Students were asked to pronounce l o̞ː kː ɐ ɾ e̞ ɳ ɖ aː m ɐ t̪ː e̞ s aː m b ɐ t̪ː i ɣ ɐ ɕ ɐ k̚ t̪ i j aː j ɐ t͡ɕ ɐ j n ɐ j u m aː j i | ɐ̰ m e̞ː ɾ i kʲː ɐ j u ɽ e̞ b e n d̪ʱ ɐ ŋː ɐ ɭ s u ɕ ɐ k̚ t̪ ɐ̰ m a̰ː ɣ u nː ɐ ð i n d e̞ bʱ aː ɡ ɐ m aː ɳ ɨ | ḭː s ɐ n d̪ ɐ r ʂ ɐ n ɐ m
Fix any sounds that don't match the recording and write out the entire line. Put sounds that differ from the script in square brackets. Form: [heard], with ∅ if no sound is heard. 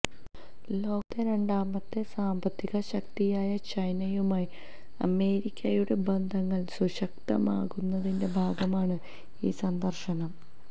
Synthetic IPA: l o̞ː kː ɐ ɾ e̞ ɳ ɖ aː m ɐ t̪ː e̞ s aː m b ɐ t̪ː i ɣ ɐ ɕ ɐ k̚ t̪ i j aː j ɐ t͡ɕ ɐ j n ɐ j u m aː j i | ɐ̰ m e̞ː ɾ i kʲː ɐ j u ɽ e̞ b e n d̪ʱ ɐ ŋː ɐ ɭ s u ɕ ɐ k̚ t̪ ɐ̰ m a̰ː ɣ u nː ɐ ð i n d e̞ bʱ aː ɡ ɐ m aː ɳ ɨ | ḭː s ɐ n d̪ ɐ r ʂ ɐ n ɐ m